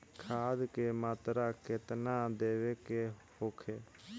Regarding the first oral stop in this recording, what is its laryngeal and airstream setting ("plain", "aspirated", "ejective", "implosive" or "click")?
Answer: aspirated